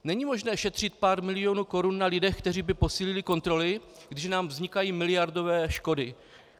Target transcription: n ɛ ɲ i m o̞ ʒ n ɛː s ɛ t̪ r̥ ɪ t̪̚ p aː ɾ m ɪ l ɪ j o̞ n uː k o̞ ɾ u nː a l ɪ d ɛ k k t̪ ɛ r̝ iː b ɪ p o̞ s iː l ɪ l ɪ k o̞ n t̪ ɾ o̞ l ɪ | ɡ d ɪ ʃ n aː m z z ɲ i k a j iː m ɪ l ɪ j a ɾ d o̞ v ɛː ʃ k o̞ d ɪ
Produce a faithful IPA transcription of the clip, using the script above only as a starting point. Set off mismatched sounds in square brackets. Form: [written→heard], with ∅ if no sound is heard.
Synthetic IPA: n ɛ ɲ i m o̞ ʒ n ɛː [s→ʃ] ɛ t̪ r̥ ɪ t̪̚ p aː ɾ m ɪ l ɪ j o̞ n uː k o̞ ɾ u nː a l ɪ d ɛ [k→x] k t̪ ɛ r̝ iː b ɪ p o̞ s iː l ɪ l ɪ k o̞ n t̪ ɾ o̞ l ɪ | ɡ d ɪ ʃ n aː m [z→v] z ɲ [i→ɪ] k a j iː m ɪ l ɪ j a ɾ d o̞ v ɛː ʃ k o̞ d ɪ